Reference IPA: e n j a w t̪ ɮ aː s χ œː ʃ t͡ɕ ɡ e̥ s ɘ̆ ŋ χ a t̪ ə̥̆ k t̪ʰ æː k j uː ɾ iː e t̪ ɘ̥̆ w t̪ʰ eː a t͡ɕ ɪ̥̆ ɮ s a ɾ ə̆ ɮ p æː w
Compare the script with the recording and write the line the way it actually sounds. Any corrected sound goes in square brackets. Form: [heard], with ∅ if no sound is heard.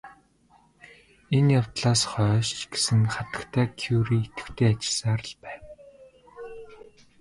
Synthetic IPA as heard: e n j a w t̪ ɮ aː s χ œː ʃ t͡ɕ ɡ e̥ s ɘ̆ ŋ χ a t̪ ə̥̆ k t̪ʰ æː [kʰ] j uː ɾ iː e t̪ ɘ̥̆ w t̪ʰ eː a t͡ɕ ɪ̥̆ ɮ s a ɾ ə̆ ɮ p æː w

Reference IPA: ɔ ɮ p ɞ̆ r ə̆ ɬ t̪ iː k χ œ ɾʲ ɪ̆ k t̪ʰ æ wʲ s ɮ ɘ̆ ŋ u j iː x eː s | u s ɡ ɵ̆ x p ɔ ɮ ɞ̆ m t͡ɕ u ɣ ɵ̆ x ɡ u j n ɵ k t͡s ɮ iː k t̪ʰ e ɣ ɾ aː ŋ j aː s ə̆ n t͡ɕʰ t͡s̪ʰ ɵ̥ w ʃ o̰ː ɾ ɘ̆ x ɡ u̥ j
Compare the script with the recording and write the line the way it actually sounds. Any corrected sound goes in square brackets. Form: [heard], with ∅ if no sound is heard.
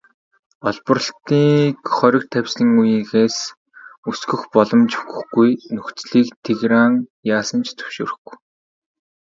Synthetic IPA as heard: ɔ ɮ p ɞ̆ r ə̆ ɬ t̪ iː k χ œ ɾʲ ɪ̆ k t̪ʰ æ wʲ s ɮ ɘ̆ ŋ u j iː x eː s | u s ɡ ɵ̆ x p ɔ ɮ ɞ̆ m t͡ɕ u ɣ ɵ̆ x ɡ u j n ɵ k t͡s ɮ iː k t̪ʰ e ɣ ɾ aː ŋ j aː s ə̆ n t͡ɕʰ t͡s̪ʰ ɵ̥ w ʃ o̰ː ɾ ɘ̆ x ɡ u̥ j

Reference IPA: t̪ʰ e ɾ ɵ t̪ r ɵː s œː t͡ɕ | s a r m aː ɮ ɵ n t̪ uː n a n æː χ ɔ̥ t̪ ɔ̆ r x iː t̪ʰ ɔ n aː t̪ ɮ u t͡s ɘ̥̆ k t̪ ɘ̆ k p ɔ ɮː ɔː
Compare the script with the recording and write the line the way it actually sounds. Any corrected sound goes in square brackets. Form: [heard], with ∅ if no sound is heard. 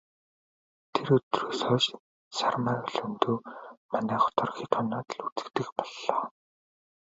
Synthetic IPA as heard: t̪ʰ e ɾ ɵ t̪ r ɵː s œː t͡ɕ | s a r m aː ɮ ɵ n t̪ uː [m] a n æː χ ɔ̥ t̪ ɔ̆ r x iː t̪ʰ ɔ n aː t̪ ɮ u t͡s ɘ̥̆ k t̪ ɘ̆ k p ɔ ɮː ɔː

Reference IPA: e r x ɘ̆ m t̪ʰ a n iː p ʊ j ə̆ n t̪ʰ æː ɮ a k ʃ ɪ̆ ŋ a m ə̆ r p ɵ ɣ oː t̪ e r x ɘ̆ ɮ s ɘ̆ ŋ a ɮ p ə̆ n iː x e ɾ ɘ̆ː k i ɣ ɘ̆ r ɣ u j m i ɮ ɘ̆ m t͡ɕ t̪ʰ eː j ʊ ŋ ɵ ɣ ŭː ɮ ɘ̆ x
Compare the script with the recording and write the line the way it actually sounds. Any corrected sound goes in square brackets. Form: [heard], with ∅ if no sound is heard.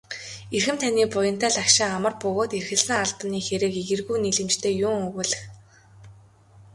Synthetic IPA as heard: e r x ɘ̆ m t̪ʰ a n iː p ʊ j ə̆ n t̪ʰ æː ɮ a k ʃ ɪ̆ ŋ a m ə̆ r p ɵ ɣ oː t̪ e r x ɘ̆ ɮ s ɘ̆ ŋ a ɮ p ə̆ n iː x e ɾ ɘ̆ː k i ɣ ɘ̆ r ɣ u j [n] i ɮ ɘ̆ m t͡ɕ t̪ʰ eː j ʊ ŋ ɵ ɣ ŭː ɮ ɘ̆ x

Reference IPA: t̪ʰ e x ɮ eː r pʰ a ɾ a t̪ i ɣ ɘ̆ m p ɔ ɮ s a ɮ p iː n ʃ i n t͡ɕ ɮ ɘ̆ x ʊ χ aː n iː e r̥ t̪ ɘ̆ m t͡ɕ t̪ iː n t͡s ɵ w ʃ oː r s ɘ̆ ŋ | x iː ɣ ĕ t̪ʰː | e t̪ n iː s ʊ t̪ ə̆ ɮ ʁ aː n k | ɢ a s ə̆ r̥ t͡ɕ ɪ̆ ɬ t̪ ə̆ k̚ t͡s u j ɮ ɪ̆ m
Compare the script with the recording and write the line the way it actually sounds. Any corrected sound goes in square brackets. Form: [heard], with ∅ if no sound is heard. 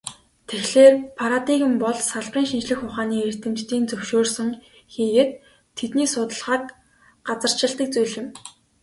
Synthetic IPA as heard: t̪ʰ e x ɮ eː r pʰ a ɾ a t̪ i ɣ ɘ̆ m p ɔ ɮ s a ɮ p iː [ŋ] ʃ i n t͡ɕ ɮ ɘ̆ x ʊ χ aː n iː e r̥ t̪ ɘ̆ m t͡ɕ t̪ iː n t͡s ɵ w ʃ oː r s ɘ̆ ŋ | x iː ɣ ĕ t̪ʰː | e t̪ n iː s ʊ t̪ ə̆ ɮ ʁ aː [∅] k | ɢ a [t͡s] ə̆ r̥ t͡ɕ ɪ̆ ɬ t̪ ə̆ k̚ t͡s u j ɮ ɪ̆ m

